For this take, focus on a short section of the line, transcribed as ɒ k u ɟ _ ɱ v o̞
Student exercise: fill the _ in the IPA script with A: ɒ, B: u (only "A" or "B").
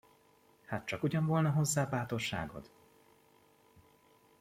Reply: A